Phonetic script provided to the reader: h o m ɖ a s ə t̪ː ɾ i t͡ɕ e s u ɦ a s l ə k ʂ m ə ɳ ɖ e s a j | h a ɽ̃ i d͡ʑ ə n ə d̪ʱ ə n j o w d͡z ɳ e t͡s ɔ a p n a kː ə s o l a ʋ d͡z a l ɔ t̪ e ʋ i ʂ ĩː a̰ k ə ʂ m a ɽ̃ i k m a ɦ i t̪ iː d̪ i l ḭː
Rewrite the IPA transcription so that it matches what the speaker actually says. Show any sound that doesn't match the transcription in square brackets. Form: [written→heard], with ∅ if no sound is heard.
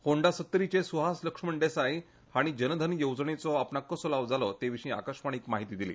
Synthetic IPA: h o [m→ɳ] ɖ a s ə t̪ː ɾ i t͡ɕ e s u ɦ a s l ə k ʂ m ə ɳ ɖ e s a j | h a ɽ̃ i d͡ʑ ə n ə d̪ʱ ə n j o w d͡z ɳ e t͡s ɔ a p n a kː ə s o l a ʋ d͡z a l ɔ t̪ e ʋ i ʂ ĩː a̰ k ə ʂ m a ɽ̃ i k m a ɦ i t̪ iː d̪ i l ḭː